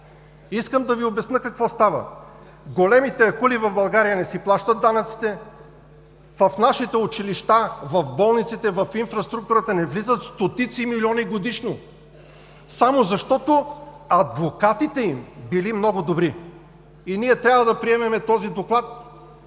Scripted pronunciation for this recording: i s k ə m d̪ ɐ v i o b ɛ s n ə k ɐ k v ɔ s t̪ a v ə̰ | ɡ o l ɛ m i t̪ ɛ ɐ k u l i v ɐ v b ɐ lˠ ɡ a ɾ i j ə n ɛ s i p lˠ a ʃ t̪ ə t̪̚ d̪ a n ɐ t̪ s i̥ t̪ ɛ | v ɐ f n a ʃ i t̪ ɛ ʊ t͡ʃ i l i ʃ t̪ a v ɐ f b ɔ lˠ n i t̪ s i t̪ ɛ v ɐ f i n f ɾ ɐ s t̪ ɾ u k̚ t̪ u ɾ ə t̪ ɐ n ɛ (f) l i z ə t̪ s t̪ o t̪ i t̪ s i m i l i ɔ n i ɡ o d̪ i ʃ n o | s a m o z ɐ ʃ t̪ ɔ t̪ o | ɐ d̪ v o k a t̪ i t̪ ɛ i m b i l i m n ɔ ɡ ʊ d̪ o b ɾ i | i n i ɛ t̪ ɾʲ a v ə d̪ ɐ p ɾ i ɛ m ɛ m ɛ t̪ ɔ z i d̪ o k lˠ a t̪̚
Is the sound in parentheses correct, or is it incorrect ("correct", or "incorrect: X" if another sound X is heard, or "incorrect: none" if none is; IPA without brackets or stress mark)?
incorrect: v